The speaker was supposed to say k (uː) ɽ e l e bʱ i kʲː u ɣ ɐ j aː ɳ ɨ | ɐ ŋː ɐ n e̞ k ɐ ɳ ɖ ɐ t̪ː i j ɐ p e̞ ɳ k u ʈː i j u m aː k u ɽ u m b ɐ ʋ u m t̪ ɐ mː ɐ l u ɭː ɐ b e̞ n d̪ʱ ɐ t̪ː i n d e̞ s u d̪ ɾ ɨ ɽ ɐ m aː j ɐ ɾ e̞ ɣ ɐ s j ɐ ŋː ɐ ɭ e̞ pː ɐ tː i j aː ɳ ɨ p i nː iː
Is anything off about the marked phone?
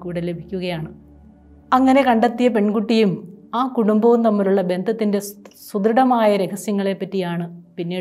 no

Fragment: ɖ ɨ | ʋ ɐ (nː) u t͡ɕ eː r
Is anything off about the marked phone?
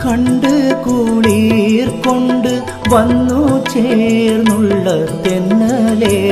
no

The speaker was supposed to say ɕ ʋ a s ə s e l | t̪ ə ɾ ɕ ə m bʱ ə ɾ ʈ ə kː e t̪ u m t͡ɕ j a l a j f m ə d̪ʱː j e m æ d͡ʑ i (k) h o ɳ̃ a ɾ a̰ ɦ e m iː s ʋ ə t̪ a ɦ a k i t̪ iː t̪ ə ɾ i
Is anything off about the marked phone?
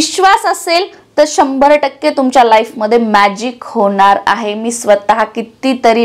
no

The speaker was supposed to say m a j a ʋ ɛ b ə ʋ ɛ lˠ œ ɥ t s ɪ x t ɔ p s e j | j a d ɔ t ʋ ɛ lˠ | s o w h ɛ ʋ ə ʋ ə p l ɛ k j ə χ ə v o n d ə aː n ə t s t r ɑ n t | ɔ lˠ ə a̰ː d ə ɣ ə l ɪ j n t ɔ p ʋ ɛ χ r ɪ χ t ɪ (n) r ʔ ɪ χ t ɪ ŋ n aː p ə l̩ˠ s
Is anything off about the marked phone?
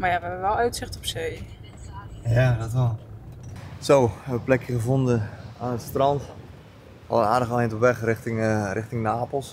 yes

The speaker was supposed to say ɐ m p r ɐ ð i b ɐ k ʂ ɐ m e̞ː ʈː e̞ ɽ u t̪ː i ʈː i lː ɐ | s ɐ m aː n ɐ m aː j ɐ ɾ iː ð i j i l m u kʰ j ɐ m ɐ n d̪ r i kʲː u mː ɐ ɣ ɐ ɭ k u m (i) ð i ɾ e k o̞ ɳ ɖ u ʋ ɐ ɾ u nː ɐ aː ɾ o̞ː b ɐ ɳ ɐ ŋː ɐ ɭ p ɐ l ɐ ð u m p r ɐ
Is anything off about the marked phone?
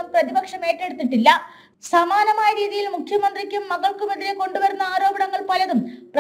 yes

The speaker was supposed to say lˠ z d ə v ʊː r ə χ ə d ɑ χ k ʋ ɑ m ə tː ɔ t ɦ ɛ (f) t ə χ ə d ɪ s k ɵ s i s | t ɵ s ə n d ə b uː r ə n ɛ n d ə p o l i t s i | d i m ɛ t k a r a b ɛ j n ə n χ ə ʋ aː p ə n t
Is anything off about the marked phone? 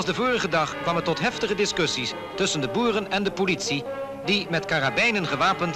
no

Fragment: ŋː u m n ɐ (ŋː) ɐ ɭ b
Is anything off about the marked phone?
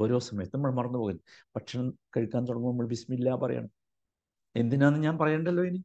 yes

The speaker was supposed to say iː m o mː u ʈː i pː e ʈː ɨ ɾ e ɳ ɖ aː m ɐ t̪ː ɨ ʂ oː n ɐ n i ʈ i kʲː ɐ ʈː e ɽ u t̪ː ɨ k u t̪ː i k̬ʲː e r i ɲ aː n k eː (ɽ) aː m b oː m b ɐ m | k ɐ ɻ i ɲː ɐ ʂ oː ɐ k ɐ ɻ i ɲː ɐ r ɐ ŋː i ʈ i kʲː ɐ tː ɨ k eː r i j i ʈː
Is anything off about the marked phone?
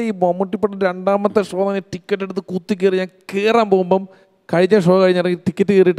yes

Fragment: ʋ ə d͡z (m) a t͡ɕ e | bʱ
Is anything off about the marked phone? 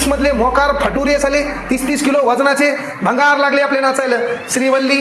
yes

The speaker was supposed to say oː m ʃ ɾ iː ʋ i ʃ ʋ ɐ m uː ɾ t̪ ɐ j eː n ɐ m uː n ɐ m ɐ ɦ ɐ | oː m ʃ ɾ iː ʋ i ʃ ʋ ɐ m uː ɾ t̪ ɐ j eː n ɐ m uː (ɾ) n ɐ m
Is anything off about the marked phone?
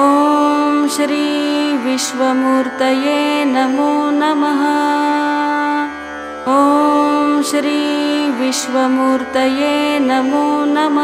yes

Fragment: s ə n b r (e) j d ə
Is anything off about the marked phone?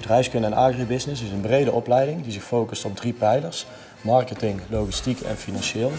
no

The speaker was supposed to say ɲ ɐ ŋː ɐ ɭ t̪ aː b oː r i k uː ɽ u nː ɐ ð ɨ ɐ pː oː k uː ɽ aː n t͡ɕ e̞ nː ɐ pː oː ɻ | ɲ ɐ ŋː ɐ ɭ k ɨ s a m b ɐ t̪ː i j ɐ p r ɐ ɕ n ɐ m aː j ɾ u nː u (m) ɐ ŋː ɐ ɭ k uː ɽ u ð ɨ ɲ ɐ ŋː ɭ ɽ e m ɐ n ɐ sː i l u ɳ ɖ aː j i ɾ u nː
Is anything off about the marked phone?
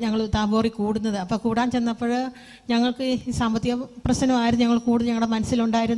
yes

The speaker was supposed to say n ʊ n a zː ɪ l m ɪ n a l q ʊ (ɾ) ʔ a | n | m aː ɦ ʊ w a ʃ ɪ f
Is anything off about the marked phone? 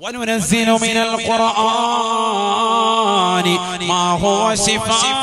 no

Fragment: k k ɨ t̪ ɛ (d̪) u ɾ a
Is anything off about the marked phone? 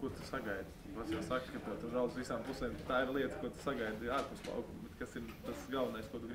yes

